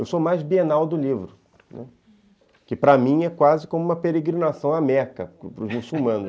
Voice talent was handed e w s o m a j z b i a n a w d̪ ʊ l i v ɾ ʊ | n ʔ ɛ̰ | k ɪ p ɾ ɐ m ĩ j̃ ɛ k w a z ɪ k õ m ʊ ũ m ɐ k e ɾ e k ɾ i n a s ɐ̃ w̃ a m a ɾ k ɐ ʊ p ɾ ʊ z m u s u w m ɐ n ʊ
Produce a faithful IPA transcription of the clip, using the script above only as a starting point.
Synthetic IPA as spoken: e w s o m a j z b i e n a w d̪ ʊ l i v ɾ ʊ | n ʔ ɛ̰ | k ɪ p ɾ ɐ m ĩ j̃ ɛ k w a z ɪ k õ m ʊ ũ m ɐ p e ɾ e ɡ ɾ i n a s ɐ̃ w̃ a m ɛ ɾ k ɐ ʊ p ɾ ʊ z m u s u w m ɐ̃ n ʊ